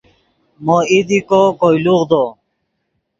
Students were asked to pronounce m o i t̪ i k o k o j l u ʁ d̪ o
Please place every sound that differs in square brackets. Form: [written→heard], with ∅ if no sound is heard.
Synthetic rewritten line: m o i [t̪→d̪] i k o k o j l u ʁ d̪ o